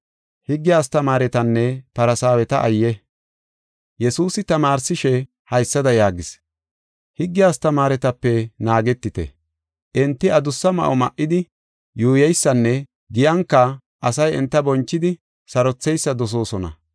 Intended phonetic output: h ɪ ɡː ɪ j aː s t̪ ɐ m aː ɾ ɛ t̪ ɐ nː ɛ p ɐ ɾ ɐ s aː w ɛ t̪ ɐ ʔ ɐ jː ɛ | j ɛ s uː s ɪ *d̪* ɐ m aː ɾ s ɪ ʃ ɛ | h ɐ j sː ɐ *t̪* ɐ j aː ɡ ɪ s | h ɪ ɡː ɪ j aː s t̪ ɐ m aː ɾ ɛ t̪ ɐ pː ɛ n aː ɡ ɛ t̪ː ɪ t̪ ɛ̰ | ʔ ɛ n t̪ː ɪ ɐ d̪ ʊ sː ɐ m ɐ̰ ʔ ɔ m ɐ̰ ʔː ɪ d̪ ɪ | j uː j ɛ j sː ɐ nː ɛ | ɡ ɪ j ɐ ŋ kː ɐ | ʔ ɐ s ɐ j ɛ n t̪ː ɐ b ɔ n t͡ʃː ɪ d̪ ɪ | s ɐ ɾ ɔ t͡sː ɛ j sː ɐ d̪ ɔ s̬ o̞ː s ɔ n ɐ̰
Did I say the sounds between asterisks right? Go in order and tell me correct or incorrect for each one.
incorrect, incorrect

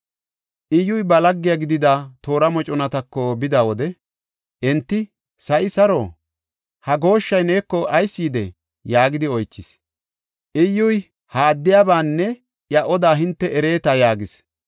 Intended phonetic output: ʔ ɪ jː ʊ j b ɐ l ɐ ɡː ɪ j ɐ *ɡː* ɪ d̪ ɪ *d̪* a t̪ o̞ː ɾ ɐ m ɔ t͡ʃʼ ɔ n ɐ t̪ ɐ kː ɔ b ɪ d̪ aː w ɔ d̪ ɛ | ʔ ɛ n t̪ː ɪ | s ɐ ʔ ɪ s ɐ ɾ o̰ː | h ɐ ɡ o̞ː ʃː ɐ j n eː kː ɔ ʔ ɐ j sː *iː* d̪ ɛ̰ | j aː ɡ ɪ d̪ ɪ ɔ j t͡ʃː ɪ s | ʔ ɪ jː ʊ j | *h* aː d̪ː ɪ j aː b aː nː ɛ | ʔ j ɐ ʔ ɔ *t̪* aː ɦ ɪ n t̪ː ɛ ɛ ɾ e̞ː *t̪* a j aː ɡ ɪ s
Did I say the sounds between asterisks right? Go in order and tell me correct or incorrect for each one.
incorrect, correct, correct, correct, incorrect, correct

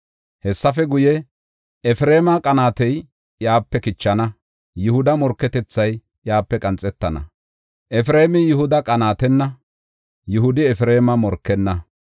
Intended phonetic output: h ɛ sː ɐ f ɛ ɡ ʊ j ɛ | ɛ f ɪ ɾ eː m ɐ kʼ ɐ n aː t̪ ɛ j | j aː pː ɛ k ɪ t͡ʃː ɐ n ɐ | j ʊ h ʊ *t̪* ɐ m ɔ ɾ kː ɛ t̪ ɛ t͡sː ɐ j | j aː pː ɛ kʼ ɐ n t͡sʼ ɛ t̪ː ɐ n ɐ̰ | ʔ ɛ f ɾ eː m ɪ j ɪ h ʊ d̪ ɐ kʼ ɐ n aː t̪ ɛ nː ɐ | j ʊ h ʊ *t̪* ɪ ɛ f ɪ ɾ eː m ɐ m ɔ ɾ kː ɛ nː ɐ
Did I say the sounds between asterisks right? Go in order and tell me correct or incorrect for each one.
incorrect, incorrect

